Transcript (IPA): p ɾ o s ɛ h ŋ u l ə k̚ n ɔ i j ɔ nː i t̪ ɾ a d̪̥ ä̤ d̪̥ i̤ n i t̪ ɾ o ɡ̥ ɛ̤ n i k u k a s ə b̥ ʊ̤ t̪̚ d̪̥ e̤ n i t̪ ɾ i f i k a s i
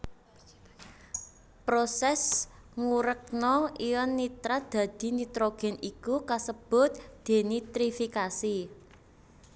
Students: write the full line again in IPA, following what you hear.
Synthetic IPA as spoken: p ɾ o s ɛ s ŋ u ɾ ə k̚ n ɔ i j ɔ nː i t̪ ɾ a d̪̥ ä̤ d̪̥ i̤ n i t̪ ɾ o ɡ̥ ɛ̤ n i k u k a s ə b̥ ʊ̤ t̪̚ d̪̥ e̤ n i t̪ ɾ i f i k a s i